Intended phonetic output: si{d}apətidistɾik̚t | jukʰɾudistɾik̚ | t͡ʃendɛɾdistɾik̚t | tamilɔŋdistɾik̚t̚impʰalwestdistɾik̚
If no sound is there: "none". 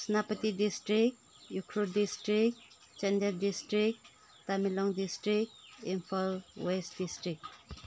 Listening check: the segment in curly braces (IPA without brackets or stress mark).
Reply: n